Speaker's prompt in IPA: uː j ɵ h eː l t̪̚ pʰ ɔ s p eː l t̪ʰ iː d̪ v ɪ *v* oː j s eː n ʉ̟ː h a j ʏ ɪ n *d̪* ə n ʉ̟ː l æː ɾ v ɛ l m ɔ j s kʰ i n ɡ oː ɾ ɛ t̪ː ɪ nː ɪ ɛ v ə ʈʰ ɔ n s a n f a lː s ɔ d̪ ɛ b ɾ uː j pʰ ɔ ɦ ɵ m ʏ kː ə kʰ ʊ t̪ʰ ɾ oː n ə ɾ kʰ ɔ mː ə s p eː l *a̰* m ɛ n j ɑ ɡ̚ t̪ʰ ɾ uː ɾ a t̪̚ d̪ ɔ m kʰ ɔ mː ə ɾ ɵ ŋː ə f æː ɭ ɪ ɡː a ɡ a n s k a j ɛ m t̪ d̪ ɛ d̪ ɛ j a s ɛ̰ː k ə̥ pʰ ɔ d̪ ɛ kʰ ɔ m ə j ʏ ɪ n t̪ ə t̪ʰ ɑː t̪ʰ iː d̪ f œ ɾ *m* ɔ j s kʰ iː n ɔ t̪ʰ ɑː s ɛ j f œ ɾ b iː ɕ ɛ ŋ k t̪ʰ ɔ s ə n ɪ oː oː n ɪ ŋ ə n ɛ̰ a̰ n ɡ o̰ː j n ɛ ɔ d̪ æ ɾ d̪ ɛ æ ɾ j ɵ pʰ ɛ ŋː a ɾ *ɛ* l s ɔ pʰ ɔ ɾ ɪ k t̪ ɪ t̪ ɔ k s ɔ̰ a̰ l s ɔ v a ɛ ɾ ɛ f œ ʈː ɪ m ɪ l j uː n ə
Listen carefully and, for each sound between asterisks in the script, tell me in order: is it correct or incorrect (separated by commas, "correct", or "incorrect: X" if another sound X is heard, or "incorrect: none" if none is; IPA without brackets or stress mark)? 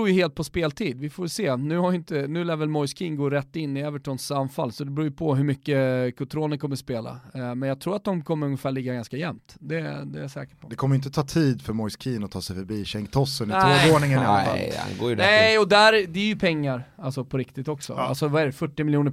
incorrect: f, incorrect: t̪, correct, correct, incorrect: a